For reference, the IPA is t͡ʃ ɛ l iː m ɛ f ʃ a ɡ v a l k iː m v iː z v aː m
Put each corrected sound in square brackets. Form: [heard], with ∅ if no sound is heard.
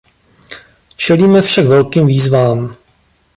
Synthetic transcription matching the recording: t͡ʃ ɛ l iː m ɛ f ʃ a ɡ v [ɛ] l k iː m v iː z v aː m